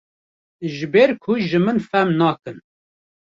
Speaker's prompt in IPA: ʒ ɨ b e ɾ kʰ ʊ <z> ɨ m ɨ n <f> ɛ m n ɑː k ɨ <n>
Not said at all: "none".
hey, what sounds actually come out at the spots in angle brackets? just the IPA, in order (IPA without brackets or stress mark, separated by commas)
ʒ, f, n